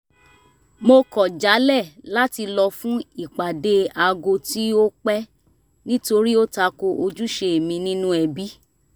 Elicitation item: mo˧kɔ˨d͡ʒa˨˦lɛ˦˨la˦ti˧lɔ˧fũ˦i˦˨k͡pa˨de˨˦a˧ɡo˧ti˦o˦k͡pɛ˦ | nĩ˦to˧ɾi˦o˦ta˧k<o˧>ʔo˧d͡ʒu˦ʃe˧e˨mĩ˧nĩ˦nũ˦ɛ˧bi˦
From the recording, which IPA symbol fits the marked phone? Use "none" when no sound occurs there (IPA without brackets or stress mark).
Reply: o˧